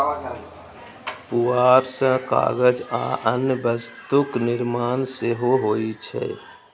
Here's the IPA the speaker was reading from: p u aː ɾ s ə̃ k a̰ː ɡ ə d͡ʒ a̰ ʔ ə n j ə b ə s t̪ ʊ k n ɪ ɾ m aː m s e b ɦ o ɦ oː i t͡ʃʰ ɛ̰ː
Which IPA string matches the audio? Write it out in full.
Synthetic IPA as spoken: p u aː ɾ s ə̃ k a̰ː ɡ ə d͡ʒ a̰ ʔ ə n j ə b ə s t̪ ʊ k n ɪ ɾ m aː n s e ɦ o ɦ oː i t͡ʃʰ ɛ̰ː

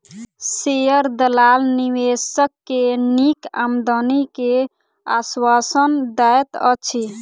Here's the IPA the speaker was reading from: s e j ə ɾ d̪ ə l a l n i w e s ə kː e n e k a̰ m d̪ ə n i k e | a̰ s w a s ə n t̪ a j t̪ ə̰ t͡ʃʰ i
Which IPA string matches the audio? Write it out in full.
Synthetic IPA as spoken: s e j ə ɾ d̪ ə l a l n i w e s ə kː e n i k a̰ m d̪ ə n i k e | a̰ s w a s ə n d̪ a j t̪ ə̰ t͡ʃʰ i

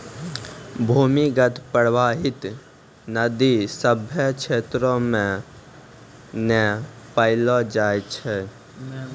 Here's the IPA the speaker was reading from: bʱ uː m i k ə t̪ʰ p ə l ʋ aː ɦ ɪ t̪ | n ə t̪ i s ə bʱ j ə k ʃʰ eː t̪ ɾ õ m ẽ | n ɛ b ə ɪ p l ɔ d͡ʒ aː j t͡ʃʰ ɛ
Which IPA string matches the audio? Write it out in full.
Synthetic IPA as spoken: bʱ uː m i ɡ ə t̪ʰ p ə ɽ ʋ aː ɦ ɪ t̪ | n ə d̪ i s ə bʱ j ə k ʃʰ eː t̪ ɾ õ m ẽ | n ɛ p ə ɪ l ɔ d͡ʒ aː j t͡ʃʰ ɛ

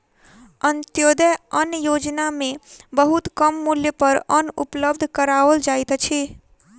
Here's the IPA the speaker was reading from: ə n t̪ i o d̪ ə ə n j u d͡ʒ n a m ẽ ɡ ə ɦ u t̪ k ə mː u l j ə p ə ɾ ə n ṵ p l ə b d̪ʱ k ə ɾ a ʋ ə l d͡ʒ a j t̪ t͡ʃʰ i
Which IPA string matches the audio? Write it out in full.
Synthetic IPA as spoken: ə n t̪ j o d̪ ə ə n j o d͡ʒ n a m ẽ b ə ɦ u t̪ k ə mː u l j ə p ə ɾ ə n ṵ p l ə b d̪ʱ k ə ɾ a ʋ ə l d͡ʒ a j t̪ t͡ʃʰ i

